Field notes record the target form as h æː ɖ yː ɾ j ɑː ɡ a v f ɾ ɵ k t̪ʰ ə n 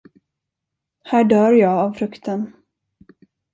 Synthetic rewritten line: h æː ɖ œː ɾ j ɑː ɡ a v f ɾ ɵ k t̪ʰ ə n